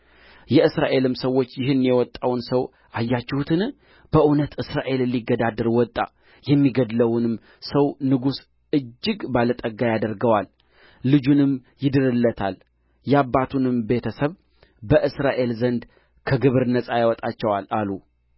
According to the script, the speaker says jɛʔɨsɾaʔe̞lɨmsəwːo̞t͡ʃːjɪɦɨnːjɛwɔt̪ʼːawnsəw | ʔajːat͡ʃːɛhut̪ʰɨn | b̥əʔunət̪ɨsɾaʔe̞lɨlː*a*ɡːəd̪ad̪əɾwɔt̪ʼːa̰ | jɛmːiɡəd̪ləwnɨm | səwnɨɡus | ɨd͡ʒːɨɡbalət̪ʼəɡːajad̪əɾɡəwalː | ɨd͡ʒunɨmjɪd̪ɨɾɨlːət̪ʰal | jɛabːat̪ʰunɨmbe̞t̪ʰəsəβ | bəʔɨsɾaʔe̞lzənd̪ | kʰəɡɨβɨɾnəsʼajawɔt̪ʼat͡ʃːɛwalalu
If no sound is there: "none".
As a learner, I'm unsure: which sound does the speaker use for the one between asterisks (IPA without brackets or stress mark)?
i